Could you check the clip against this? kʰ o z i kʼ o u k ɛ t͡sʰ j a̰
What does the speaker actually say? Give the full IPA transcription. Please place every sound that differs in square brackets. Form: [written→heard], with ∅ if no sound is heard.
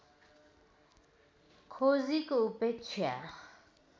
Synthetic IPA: kʰ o z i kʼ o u [k→p] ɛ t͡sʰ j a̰